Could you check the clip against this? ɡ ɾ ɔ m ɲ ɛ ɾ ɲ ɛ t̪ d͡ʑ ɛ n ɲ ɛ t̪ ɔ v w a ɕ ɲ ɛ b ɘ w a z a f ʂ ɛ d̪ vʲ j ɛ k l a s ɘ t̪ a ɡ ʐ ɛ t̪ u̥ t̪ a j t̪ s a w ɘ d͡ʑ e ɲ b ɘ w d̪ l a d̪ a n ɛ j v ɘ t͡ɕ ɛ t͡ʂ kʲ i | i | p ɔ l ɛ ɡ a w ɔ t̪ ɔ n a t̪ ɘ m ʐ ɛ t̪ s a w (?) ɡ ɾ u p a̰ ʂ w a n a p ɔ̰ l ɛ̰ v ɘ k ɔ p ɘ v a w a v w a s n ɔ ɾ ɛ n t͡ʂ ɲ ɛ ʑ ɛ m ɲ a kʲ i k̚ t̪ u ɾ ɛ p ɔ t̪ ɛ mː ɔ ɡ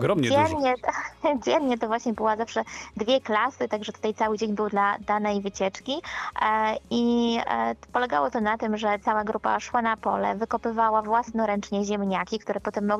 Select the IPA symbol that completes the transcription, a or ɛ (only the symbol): a